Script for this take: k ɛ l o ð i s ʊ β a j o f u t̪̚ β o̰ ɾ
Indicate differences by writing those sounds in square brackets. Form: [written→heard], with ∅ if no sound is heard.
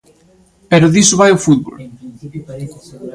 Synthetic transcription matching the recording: [k→p] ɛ [l→ɾ] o ð i s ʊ β a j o f u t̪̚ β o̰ [ɾ→l]